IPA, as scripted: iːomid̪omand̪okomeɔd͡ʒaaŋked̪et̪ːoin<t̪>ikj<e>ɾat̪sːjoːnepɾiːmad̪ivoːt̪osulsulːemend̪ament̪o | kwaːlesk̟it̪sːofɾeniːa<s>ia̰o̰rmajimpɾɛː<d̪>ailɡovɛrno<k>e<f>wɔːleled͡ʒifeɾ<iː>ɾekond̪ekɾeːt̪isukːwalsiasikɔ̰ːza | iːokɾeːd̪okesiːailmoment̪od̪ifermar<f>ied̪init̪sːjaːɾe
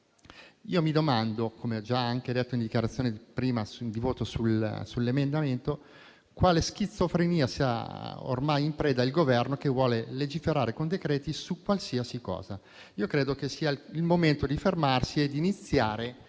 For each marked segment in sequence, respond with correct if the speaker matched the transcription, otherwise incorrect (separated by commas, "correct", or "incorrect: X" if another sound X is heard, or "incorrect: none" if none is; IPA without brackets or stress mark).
incorrect: d̪, incorrect: a, correct, correct, correct, incorrect: v, incorrect: aː, incorrect: s